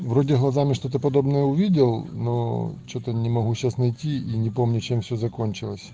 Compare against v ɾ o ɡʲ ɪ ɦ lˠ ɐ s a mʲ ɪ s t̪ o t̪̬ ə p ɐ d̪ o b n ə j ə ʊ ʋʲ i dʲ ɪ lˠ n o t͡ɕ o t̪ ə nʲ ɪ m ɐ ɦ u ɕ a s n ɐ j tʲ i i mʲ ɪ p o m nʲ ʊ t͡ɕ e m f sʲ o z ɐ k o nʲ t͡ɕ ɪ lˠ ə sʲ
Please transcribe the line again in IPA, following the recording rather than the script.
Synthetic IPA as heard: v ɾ o dʲ ɪ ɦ lˠ ɐ z a mʲ ɪ ʂ t̪ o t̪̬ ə p ɐ d̪ o b n ə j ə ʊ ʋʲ i dʲ ɪ lˠ n o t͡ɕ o t̪ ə nʲ ɪ m ɐ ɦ u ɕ a s n ɐ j tʲ i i nʲ ɪ p o m nʲ ʊ t͡ɕ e m f sʲ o z ɐ k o nʲ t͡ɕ ɪ lˠ ə sʲ